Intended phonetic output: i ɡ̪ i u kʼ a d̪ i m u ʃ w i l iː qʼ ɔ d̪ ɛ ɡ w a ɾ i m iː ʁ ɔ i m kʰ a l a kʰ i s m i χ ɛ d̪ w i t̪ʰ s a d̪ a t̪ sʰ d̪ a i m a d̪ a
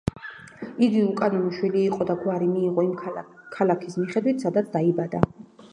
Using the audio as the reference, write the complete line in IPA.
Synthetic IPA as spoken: i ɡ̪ i u kʼ a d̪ i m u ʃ w i l iː qʼ ɔ d̪ a ɡ w a ɾ i m iː ʁ ɔ i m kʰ a l a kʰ i s m i χ ɛ d̪ w i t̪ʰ s a d̪ a t̪ sʰ d̪ a i b a d̪ a